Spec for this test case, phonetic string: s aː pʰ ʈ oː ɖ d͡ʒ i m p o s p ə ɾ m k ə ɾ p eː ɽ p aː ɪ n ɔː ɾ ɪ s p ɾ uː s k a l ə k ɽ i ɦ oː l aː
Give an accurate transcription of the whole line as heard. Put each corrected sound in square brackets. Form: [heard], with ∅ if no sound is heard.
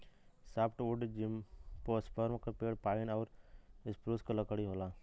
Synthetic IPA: s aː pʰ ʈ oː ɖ d͡ʒ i m p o s p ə ɾ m k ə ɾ p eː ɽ p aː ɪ n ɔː ɾ ɪ s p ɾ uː s k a l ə k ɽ i ɦ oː l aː